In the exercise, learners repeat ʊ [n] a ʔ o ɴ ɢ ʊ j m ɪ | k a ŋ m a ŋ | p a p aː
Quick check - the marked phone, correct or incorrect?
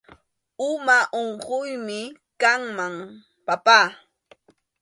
incorrect